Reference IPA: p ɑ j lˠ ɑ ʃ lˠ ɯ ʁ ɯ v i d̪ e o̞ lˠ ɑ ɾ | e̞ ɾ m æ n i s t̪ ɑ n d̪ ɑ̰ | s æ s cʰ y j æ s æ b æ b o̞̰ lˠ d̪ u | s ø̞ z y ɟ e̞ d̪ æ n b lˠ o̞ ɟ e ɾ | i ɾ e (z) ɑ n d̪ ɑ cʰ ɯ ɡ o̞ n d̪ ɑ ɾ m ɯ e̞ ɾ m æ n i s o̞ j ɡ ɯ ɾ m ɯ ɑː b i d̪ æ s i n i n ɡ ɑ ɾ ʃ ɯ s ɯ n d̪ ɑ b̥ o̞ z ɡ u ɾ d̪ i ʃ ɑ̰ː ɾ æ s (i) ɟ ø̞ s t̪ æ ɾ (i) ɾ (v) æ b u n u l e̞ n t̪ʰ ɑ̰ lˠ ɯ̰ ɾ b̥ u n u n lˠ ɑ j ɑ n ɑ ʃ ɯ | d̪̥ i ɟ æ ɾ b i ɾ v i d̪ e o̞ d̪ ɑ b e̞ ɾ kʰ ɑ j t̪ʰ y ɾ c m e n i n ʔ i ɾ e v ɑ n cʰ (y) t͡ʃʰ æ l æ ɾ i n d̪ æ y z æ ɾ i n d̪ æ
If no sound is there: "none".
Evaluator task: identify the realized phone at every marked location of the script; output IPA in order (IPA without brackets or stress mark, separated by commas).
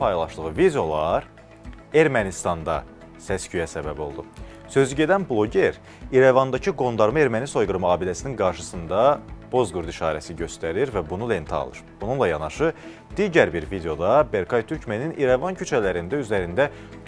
v, i, i, v, y